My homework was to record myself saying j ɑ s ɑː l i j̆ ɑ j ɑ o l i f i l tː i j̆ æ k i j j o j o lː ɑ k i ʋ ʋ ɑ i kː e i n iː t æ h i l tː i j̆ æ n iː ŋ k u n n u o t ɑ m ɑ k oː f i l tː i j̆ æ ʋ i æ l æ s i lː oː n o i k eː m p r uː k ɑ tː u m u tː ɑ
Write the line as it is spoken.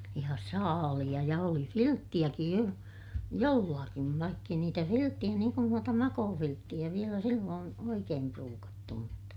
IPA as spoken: j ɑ s ɑː l i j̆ ɑ j ɑ o l i f i l tː i j̆ æ k i j j o j o lː ɑ k i ʋ ʋ ɑ i kː e i n iː t æ f i l tː i j̆ æ n iː ŋ k u n n u o t ɑ m ɑ k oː f i l tː i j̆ æ ʋ i e l æ s i lː oː n o i k eː m p r uː k ɑ tː u m u tː ɑ